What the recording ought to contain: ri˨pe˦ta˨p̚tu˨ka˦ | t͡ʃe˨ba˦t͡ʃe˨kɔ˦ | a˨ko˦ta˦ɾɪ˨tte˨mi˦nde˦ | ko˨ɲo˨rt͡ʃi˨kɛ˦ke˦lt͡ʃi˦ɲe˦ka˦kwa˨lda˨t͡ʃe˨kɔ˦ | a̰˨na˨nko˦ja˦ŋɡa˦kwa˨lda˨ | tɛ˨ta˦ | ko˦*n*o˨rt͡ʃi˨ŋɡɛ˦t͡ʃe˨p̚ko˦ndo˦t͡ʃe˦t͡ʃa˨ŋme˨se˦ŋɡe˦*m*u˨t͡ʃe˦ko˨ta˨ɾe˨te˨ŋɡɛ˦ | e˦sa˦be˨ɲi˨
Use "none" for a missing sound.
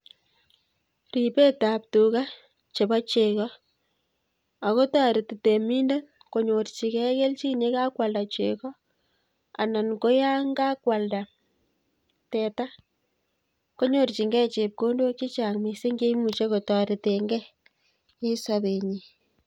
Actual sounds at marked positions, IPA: ɲ, m

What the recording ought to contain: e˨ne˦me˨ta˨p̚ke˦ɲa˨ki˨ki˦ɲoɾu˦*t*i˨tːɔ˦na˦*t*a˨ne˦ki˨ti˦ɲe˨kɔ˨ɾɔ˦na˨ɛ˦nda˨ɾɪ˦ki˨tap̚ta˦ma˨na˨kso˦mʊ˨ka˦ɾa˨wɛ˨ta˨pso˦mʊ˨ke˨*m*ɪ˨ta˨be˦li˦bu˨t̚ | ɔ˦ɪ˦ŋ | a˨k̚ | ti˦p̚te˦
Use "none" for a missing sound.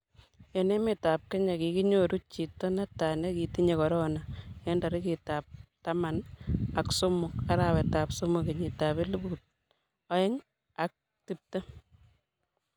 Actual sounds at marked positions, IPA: t͡ʃ, t, ɲ

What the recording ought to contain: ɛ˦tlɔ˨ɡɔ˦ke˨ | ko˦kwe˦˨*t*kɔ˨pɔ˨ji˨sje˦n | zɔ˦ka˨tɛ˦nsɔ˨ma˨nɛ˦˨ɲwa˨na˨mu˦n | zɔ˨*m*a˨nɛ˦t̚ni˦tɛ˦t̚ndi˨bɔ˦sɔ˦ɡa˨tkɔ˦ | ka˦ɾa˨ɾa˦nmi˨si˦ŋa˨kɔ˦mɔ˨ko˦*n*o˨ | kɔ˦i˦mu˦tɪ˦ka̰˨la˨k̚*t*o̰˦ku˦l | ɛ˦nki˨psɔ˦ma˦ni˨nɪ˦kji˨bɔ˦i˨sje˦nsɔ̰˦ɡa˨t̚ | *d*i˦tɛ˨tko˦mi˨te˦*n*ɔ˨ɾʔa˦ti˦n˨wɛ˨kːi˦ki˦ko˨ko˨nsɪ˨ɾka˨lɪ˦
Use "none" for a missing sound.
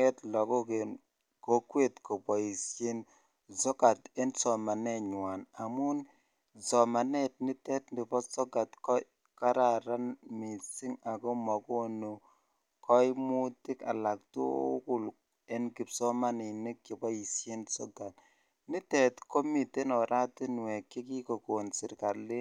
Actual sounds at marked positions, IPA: t, m, n, t, n, n

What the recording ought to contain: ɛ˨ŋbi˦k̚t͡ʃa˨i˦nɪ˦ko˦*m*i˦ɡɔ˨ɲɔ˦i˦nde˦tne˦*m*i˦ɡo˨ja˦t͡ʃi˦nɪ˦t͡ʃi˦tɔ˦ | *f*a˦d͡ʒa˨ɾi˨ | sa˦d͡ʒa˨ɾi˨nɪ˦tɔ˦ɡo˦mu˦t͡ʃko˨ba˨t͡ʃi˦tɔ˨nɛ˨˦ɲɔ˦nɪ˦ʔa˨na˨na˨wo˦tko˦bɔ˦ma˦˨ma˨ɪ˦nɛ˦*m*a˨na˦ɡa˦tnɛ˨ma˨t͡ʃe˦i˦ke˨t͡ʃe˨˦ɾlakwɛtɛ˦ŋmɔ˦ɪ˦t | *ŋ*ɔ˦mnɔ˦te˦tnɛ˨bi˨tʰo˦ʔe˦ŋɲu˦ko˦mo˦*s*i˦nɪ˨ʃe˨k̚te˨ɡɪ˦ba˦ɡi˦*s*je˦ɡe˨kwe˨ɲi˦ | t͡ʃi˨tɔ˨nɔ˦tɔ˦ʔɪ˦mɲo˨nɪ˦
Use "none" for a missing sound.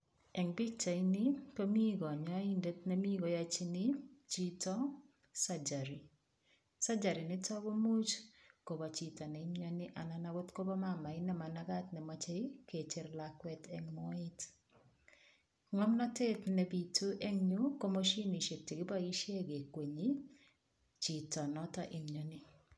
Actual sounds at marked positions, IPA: m, m, s, m, ŋ, ʃ, ʃ

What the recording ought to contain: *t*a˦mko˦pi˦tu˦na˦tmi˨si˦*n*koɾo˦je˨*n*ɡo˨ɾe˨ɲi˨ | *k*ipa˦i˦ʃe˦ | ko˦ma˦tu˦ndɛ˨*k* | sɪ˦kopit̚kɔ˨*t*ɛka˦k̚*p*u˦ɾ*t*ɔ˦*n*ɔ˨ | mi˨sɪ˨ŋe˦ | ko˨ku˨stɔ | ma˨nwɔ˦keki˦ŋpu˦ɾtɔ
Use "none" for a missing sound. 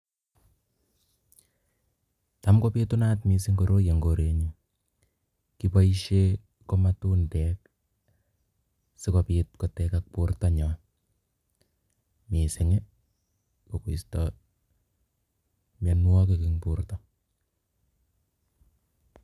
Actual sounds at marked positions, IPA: t, ŋ, ŋ, k, k, t, p, t, ɲ

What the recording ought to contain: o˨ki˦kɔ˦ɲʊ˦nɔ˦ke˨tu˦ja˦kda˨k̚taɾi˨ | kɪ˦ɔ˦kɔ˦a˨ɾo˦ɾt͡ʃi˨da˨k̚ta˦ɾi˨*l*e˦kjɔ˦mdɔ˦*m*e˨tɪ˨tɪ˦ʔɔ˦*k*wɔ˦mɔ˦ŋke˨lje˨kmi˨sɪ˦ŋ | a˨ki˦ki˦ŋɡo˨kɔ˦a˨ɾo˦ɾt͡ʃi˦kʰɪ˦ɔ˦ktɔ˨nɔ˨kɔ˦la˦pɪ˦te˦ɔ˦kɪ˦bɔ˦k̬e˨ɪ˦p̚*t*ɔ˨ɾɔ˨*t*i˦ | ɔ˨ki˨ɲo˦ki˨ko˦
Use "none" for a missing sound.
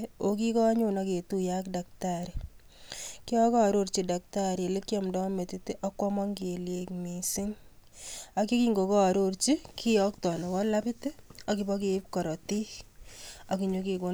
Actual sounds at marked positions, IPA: l, m, k, k, t

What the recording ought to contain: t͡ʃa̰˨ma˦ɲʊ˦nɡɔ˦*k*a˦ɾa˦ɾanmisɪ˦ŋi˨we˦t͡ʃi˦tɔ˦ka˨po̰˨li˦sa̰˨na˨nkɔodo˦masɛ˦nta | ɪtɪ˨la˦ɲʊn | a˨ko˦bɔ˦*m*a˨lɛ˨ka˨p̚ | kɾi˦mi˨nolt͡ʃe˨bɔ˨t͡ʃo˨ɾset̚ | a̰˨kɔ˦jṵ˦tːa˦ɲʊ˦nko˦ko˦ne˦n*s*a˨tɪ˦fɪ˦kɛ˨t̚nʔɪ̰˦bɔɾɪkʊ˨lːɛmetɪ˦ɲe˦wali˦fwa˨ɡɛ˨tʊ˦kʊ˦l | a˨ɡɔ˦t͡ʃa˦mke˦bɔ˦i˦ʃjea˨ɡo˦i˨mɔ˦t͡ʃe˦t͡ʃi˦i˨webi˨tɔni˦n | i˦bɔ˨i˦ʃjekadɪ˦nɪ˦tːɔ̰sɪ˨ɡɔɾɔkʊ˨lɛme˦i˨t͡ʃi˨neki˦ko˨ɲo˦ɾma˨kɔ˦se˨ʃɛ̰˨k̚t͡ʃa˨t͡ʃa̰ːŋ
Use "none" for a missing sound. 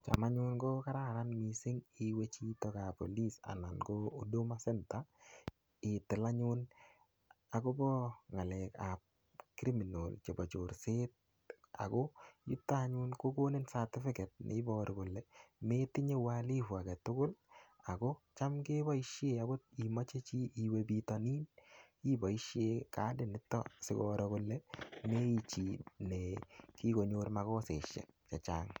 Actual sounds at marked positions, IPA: k, ŋ, s

